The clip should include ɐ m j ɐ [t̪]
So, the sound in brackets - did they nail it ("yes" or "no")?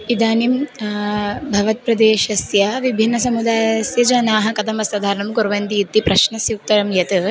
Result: yes